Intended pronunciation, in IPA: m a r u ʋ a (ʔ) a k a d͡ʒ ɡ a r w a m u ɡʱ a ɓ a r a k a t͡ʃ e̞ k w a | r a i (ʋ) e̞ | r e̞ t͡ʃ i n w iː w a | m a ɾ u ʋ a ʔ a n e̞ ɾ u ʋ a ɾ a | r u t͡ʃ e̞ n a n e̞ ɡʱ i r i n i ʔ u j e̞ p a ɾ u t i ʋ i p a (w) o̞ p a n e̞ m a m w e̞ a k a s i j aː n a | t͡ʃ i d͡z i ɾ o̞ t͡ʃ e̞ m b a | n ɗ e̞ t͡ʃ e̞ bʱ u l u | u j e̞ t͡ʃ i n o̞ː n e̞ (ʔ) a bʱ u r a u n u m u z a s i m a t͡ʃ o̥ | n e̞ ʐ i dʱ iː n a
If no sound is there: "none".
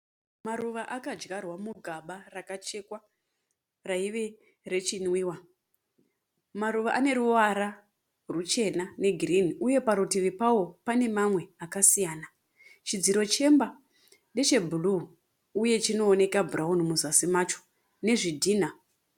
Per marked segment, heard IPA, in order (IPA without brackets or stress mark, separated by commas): ʔ, ʋ, w, k